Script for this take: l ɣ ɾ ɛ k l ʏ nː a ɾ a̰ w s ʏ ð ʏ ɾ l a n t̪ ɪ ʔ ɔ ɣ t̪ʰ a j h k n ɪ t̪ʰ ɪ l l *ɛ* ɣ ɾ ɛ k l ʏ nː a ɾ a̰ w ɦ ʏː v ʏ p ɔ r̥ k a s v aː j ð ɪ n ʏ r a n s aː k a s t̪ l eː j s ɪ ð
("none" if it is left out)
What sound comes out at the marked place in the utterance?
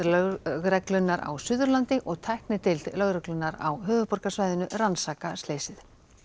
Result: œ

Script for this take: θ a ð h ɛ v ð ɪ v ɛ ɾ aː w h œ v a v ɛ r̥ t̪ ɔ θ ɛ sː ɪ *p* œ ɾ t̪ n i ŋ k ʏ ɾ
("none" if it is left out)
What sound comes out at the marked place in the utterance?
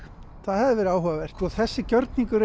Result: c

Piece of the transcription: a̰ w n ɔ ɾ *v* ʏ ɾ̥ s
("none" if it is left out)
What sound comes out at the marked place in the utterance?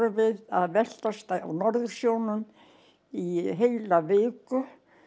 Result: ð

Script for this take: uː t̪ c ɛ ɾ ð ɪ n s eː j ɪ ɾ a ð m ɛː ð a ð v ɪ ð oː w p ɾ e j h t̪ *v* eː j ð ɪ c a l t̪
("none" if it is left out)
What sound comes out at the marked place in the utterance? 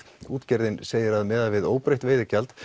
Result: v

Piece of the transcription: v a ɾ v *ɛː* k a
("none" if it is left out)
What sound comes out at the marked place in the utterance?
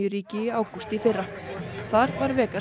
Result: ɛː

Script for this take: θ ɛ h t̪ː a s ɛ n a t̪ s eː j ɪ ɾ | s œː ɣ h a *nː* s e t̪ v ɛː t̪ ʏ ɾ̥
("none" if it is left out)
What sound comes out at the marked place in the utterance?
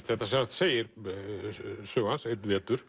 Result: n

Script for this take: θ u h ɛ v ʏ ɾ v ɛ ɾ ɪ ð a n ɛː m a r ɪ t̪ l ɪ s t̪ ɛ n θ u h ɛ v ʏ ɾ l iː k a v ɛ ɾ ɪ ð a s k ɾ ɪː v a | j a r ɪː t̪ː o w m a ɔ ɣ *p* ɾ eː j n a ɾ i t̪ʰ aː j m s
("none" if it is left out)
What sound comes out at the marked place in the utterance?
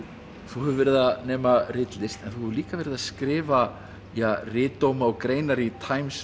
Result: k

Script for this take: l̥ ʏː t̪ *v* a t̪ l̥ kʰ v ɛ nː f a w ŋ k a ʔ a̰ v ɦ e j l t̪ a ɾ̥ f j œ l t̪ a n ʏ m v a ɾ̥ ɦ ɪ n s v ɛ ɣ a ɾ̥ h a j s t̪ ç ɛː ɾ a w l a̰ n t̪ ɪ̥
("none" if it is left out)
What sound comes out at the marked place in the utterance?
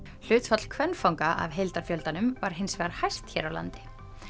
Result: f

